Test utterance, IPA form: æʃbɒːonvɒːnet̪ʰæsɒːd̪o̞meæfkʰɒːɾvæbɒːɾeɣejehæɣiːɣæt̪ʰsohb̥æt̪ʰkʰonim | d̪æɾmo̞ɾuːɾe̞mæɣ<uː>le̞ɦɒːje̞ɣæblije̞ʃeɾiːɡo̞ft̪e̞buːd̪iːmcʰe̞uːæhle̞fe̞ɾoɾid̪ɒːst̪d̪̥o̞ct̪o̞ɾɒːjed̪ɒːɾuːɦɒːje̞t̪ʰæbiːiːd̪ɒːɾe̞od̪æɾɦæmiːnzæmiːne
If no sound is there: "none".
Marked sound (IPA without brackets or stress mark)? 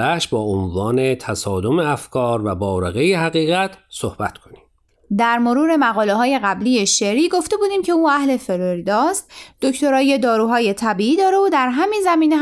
ɒː